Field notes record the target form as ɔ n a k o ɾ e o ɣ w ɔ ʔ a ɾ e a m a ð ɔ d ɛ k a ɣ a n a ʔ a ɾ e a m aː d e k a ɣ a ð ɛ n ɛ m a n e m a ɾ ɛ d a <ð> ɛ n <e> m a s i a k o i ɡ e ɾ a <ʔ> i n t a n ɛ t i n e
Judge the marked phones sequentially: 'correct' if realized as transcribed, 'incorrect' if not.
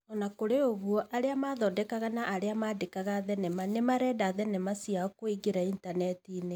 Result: correct, incorrect, incorrect

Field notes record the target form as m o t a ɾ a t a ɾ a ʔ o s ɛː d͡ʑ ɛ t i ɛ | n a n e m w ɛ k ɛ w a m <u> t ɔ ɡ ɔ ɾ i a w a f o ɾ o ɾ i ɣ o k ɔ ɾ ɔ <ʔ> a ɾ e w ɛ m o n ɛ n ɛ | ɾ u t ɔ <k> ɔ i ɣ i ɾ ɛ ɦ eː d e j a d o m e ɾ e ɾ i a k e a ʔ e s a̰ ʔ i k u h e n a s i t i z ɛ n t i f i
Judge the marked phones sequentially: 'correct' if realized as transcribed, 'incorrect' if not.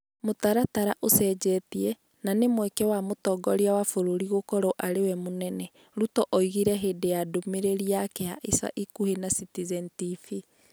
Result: incorrect, correct, incorrect

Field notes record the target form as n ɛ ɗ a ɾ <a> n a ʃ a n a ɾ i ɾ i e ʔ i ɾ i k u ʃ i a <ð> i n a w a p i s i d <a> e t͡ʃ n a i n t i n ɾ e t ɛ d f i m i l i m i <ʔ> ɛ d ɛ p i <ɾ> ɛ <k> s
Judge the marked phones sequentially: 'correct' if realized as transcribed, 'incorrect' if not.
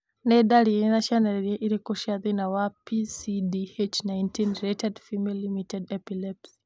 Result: incorrect, correct, incorrect, incorrect, incorrect, incorrect

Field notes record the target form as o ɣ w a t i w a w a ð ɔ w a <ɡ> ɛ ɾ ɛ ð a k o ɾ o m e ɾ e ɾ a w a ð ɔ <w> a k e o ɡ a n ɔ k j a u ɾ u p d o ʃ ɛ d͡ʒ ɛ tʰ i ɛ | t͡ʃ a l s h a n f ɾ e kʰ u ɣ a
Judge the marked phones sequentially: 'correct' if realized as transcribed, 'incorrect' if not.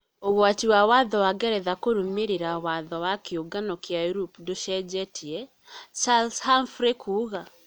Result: correct, correct

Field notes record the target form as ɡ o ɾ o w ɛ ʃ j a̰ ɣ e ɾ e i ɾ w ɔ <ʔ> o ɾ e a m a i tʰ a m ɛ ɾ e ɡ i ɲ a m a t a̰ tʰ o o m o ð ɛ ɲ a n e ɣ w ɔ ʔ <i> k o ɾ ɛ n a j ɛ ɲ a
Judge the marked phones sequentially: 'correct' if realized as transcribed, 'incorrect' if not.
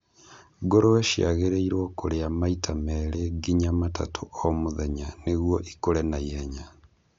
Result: incorrect, correct

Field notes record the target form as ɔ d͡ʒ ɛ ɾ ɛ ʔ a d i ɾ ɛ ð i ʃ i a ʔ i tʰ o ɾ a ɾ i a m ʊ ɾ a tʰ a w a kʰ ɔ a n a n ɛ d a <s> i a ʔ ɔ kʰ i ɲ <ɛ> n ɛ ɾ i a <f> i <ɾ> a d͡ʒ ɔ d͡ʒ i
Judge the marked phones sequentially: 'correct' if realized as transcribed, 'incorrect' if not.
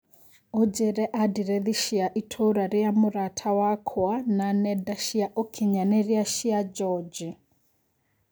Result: incorrect, incorrect, incorrect, incorrect

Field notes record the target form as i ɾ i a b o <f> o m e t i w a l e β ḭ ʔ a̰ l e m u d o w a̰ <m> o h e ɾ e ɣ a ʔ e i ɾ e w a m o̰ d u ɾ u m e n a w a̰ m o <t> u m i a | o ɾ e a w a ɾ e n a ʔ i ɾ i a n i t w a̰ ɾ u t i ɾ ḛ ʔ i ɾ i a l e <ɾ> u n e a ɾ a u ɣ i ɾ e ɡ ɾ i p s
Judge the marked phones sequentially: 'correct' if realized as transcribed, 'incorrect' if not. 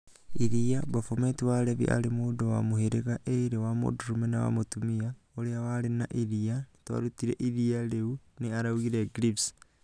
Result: correct, correct, correct, incorrect

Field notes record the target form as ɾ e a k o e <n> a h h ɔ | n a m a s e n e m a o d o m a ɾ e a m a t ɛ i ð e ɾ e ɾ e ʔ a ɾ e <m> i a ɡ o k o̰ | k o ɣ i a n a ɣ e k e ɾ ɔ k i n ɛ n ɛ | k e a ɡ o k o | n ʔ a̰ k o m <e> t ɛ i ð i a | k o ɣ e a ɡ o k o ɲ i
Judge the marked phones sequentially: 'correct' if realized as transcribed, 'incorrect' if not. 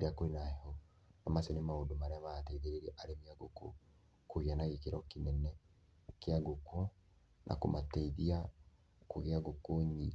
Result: correct, correct, incorrect

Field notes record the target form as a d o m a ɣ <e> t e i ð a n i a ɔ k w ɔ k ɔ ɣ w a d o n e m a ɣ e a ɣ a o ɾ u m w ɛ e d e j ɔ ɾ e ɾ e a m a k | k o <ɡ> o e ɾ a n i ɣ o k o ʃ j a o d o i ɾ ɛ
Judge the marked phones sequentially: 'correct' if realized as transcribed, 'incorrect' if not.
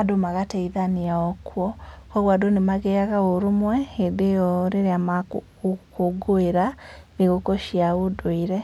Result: incorrect, correct

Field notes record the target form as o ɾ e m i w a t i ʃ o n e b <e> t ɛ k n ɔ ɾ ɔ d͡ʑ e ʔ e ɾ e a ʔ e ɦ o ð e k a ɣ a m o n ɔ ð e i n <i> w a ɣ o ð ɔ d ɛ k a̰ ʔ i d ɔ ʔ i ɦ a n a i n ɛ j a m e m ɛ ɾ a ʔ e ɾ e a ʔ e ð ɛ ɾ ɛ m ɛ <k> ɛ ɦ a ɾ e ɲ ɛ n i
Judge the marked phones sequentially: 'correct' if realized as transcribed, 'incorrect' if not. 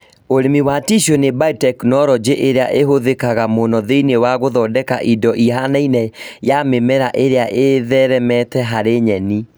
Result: incorrect, incorrect, incorrect

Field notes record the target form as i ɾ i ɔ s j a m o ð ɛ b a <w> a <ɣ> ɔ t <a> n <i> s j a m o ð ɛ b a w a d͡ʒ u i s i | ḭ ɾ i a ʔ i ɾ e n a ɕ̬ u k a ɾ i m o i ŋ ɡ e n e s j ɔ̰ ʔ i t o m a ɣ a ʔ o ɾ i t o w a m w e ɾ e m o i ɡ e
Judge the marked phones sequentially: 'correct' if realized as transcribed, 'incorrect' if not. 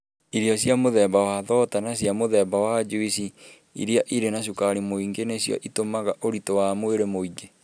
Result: correct, incorrect, correct, incorrect

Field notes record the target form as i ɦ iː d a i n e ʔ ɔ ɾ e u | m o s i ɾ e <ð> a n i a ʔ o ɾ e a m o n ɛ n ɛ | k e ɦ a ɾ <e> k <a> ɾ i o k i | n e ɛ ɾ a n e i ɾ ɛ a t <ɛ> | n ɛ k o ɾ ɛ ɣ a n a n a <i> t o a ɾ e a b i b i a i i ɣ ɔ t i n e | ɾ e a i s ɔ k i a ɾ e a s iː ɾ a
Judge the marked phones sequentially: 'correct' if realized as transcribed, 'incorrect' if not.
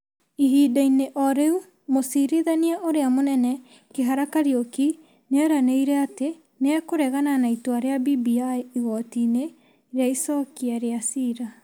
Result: correct, incorrect, correct, incorrect, correct

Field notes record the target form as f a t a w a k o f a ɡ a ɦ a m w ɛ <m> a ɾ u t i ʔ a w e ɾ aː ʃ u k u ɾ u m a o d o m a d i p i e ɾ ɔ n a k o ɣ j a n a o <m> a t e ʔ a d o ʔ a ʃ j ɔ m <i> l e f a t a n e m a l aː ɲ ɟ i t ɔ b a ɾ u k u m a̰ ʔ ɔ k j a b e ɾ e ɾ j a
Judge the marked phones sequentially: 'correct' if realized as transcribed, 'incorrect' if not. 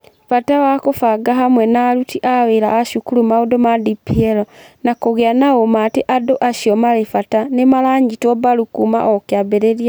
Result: incorrect, correct, incorrect

